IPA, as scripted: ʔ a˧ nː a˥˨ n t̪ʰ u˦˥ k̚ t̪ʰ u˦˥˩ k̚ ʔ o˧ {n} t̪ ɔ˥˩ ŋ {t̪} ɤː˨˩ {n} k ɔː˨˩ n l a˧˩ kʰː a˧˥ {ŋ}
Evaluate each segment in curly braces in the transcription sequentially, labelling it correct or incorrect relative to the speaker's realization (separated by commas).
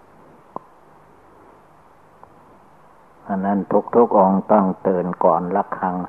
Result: incorrect, correct, correct, correct